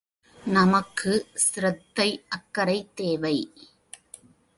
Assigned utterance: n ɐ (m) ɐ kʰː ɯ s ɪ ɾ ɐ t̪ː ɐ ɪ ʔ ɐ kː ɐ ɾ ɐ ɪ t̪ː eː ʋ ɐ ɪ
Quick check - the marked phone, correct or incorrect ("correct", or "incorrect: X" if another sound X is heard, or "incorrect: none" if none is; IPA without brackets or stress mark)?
correct